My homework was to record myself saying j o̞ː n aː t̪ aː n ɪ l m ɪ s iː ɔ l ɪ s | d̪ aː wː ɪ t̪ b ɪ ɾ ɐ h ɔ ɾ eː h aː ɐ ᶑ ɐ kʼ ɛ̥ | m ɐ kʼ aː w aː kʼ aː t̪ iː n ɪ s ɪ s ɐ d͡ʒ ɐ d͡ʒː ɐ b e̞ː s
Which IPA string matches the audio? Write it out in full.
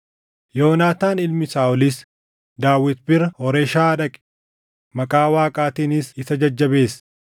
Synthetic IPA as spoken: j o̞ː n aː t̪ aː n ɪ l m ɪ s aː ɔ l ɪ s | d̪ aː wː ɪ t̪ b ɪ ɾ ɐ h ɔ ɾ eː ʃ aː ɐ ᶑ ɐ kʼ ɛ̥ | m ɐ kʼ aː w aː kʼ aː t̪ iː n ɪ s ɪ s ɐ d͡ʒ ɐ d͡ʒː ɐ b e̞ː s